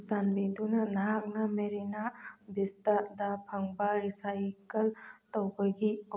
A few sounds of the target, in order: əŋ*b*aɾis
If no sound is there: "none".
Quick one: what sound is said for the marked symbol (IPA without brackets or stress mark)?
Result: b